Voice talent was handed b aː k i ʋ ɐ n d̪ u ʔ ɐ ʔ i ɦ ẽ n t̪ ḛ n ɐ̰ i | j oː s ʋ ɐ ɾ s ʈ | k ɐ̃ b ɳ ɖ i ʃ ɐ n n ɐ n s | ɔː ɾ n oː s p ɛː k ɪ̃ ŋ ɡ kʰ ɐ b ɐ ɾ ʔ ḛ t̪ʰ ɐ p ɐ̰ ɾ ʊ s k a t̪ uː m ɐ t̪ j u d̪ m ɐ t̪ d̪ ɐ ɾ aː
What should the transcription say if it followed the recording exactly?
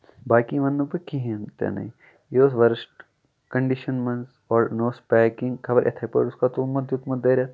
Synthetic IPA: b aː k i ʋ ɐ n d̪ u p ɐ k i ɦ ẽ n t̪ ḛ n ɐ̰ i | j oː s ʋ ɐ ɾ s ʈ | k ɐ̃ ɳ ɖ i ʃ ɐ n m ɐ n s | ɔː ɾ n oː s p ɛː k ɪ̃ ŋ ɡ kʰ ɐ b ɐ ɾ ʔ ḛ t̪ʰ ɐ p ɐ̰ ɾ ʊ s k a t̪ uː m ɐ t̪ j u t̪ m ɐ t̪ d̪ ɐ ɾ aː

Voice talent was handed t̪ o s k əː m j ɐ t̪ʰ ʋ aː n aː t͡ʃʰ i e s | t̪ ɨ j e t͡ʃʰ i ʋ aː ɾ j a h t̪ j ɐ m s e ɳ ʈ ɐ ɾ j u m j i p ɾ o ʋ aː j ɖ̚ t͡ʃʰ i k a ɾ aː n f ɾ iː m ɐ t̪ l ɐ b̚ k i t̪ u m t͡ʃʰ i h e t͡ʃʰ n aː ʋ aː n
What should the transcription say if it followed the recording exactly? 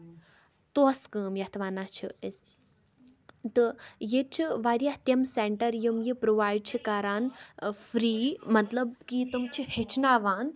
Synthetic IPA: t̪ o s k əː m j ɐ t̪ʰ ʋ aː n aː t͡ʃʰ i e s | t̪ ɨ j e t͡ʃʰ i ʋ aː ɾ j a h t̪ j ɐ m s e ɳ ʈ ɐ ɾ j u m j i p ɾ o ʋ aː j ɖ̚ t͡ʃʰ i k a ɾ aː n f ɾ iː m ɐ t̪ l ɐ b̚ k i t̪ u m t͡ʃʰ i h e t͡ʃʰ n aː ʋ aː n

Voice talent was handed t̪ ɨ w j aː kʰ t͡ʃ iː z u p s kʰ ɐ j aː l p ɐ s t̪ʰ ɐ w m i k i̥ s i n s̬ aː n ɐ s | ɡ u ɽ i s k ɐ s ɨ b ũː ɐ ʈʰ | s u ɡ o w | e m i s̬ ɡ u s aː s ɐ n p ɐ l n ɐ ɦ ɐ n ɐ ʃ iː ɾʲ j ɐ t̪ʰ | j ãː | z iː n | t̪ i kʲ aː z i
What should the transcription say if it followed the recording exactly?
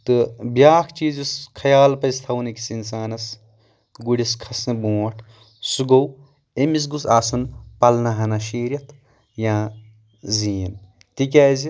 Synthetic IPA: t̪ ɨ b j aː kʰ t͡ʃ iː z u s kʰ ɐ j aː l p ɐ s t̪ʰ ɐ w n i k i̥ s i n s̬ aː n ɐ s | ɡ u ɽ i s kʰ ɐ s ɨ b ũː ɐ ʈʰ | s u ɡ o w | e m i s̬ ɡ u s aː s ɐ n p ɐ l n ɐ ɦ ɐ n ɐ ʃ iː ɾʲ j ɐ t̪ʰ | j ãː | z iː n | t̪ i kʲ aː z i

